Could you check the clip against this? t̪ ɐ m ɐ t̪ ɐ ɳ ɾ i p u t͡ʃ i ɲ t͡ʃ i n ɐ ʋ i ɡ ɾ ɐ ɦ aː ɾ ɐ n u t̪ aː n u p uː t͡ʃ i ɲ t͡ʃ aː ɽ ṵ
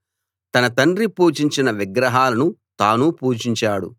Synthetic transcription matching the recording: t̪ ɐ n ɐ t̪ ɐ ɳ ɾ i p uː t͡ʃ i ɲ t͡ʃ i n ɐ ʋ i ɡ ɾ ɐ ɦ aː l ɐ n u t̪ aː n u p uː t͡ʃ i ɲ t͡ʃ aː ɽ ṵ